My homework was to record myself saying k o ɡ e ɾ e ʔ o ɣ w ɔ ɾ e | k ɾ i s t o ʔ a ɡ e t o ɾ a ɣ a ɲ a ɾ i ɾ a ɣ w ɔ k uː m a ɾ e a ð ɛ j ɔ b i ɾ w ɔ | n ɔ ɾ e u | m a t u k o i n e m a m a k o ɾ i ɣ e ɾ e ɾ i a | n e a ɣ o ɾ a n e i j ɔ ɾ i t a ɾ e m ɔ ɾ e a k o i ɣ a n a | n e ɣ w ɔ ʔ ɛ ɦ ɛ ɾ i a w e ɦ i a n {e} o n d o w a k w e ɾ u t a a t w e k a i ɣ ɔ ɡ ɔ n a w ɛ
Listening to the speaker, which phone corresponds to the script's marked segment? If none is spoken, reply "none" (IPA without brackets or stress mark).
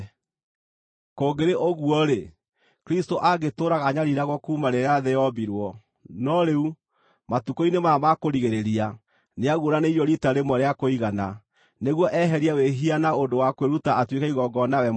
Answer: a